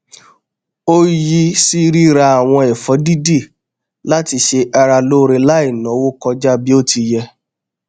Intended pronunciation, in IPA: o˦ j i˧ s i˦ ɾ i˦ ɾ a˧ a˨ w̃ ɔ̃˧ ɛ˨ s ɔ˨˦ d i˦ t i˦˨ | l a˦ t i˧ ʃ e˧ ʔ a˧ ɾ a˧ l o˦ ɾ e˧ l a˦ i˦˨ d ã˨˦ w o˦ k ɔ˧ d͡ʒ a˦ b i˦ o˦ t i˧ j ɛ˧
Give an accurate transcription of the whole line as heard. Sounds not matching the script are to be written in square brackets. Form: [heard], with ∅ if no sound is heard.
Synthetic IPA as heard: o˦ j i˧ s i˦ ɾ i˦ ɾ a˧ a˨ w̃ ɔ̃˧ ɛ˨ [f] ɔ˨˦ d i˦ [d] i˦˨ | l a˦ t i˧ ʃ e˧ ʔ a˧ ɾ a˧ l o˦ ɾ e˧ l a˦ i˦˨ [n] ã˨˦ w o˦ k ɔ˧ d͡ʒ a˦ b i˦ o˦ t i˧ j ɛ˧